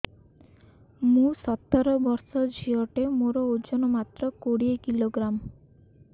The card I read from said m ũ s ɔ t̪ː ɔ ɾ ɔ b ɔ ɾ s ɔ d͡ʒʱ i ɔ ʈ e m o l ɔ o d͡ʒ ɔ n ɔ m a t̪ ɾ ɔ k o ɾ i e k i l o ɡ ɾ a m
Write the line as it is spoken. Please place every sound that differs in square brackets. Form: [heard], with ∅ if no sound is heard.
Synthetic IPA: m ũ s ɔ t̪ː ɔ ɾ ɔ b ɔ ɾ s ɔ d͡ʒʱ i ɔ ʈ e m o [ɾ] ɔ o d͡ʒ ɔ n ɔ m a t̪ ɾ ɔ k o [ɽ] i e k i l o ɡ ɾ a m